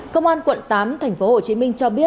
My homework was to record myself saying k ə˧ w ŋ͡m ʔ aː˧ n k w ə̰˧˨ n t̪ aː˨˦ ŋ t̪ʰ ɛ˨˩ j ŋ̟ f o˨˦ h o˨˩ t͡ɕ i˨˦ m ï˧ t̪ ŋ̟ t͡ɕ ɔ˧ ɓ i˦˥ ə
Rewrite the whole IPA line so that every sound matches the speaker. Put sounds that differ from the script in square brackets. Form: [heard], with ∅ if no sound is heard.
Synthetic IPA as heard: k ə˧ w ŋ͡m ʔ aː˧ n k w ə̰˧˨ n t̪ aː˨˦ [m] t̪ʰ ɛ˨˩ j ŋ̟ f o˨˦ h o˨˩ t͡ɕ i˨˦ m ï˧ [∅] ŋ̟ t͡ɕ ɔ˧ ɓ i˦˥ ə